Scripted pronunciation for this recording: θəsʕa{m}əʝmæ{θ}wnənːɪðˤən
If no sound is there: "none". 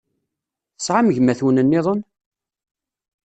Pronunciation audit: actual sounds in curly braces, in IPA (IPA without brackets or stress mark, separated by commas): m, θ